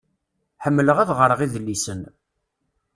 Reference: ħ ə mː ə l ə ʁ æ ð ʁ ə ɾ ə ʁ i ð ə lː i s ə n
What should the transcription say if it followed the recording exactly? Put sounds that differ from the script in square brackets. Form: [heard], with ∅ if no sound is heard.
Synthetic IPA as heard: ħ ə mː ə l ə ʁ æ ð ʁ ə ɾ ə ʁ i ð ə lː i s ə n